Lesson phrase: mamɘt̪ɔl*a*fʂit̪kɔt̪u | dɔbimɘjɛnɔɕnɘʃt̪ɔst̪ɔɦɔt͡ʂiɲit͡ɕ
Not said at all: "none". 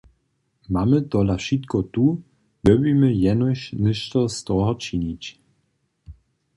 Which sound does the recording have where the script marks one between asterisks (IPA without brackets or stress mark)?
a